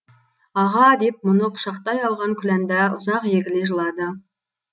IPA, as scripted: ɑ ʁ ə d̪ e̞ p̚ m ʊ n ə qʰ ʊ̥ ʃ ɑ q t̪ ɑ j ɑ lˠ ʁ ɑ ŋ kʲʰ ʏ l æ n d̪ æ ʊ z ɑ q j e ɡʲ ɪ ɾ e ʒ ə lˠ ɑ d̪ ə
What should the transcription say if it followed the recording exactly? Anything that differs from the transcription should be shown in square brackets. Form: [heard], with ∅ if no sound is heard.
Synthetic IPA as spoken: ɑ ʁ [ɑ] d̪ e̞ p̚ m ʊ n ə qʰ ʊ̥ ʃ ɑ q t̪ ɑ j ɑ lˠ ʁ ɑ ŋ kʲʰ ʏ l æ n d̪ æ ʊ z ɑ q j e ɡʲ ɪ [l] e ʒ ə lˠ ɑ d̪ ə

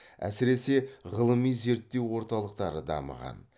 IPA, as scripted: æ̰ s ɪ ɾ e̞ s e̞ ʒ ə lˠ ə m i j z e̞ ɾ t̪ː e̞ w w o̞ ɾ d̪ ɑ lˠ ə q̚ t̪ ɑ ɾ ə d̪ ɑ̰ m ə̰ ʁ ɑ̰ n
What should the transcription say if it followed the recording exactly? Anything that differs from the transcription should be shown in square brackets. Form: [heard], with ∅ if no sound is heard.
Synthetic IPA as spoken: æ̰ s ɪ ɾ e̞ s e̞ [ʁ] ə lˠ ə m i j z e̞ ɾ t̪ː e̞ w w o̞ ɾ [t̪] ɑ lˠ ə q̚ t̪ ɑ ɾ ə d̪ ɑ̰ m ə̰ ʁ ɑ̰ n

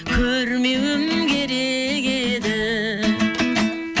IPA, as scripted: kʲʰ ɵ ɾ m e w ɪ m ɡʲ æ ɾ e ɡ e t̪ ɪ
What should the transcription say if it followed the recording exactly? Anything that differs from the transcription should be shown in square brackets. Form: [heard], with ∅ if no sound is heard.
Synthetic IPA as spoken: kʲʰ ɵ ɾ m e w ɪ m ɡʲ [e] ɾ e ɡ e [d̪] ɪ

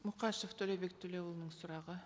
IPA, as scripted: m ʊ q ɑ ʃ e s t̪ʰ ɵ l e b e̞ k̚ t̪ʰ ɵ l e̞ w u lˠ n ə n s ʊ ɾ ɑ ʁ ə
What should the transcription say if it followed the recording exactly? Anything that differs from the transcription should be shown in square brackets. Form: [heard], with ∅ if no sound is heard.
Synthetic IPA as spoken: m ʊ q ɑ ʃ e [f] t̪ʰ ɵ l e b e̞ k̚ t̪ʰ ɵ l e̞ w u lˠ n ə [ɴ] s ʊ ɾ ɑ ʁ ə

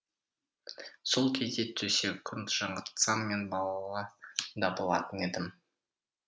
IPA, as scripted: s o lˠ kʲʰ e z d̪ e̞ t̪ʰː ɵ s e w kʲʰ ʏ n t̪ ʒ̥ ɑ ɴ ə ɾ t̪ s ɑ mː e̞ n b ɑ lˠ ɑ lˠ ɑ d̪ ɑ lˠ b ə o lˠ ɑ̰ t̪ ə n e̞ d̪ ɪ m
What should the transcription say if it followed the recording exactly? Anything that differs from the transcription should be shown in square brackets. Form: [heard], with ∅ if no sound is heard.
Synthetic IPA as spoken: s o lˠ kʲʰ e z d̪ e̞ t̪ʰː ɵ s e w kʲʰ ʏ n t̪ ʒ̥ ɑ ɴ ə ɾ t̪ s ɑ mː e̞ n b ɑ lˠ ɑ lˠ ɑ d̪ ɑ [∅] b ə o lˠ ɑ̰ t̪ ə n e̞ d̪ ɪ m

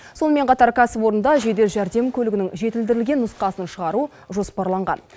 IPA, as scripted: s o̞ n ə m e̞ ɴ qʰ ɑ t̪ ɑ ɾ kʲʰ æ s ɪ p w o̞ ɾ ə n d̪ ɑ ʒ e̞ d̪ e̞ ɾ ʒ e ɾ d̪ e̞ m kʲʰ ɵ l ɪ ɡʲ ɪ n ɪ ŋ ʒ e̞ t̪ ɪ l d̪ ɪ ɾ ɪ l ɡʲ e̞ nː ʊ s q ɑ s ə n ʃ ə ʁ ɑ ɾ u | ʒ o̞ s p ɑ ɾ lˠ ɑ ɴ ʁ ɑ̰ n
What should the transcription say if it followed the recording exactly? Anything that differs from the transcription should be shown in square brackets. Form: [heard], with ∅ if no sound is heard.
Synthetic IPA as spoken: s o̞ n ə m e̞ ɴ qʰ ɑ t̪ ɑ ɾ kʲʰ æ s ɪ p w o̞ ɾ ə n d̪ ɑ ʒ e̞ d̪ e̞ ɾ ʒ [æ] ɾ d̪ e̞ m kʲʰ ɵ l ɪ ɡʲ ɪ n ɪ ŋ ʒ e̞ t̪ ɪ l d̪ ɪ ɾ ɪ l ɡʲ e̞ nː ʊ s q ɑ s ə n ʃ ə ʁ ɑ ɾ u | ʒ o̞ s p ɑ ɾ lˠ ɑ ɴ ʁ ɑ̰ n

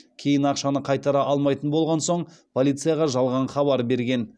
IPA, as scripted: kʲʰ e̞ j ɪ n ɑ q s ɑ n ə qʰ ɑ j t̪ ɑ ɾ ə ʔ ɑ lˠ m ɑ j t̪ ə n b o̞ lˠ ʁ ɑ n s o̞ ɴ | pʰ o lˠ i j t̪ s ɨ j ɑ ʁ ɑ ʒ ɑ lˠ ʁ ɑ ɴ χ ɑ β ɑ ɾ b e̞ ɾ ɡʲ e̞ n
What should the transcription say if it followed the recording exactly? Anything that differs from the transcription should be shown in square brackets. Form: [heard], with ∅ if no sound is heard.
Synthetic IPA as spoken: kʲʰ e̞ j ɪ n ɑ q [ʃ] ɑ n ə qʰ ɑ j t̪ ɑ ɾ [ɑ] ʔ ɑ lˠ m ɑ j t̪ ə n b o̞ lˠ ʁ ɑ n s o̞ ɴ | pʰ o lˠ i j t̪ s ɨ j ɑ ʁ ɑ ʒ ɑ lˠ ʁ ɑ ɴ χ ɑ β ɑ ɾ b e̞ ɾ ɡʲ e̞ n

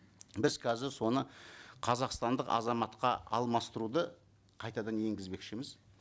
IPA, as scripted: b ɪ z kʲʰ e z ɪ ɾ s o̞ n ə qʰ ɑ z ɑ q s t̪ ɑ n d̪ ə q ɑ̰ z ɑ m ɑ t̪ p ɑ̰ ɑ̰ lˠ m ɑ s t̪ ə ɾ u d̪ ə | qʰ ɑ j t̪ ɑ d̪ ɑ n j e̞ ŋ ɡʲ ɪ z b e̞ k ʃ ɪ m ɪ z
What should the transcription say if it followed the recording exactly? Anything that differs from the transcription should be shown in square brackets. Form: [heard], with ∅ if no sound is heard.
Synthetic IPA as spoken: b ɪ z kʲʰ [æ] z ɪ ɾ s o̞ n ə qʰ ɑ z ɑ q s t̪ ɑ n d̪ ə q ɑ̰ z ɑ m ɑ t̪ [q] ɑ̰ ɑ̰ lˠ m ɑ s t̪ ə ɾ u d̪ ə | qʰ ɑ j t̪ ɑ d̪ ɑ n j e̞ ŋ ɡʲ ɪ z b e̞ k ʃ ɪ m ɪ z

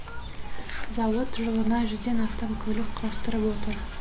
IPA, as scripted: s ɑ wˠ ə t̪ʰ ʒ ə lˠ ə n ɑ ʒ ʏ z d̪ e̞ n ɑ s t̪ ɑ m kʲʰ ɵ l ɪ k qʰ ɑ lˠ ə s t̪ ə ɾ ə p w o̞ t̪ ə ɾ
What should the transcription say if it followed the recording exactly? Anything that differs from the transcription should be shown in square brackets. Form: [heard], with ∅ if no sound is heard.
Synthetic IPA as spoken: [z] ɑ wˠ ə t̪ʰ ʒ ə lˠ ə n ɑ ʒ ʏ z d̪ e̞ n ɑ s t̪ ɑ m kʲʰ ɵ l ɪ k qʰ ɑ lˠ ə s t̪ ə ɾ ə p w o̞ t̪ ə ɾ

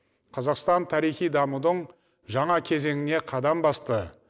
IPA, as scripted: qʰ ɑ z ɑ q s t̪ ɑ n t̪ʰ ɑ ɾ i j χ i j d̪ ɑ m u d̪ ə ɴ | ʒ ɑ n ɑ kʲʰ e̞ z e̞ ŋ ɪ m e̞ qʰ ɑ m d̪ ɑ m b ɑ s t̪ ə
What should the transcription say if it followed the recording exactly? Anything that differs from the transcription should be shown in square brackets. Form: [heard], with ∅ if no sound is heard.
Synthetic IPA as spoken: qʰ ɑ z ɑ q s t̪ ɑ n t̪ʰ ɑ ɾ i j χ i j d̪ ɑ m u d̪ ə ɴ | ʒ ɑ [ɴ] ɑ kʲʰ e̞ z e̞ ŋ ɪ [n] e̞ qʰ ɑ [∅] d̪ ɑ m b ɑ s t̪ ə

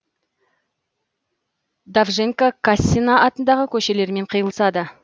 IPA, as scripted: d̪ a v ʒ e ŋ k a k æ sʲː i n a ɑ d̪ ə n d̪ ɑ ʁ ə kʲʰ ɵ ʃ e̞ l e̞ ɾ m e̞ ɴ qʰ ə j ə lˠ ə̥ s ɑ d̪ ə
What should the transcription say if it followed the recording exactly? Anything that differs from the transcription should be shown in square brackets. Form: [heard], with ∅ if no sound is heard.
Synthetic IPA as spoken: d̪ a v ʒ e ŋ k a k [a] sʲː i n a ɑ [t̪] ə n d̪ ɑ ʁ ə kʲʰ ɵ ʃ e̞ l e̞ ɾ m e̞ ɴ qʰ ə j ə lˠ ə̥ s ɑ d̪ ə

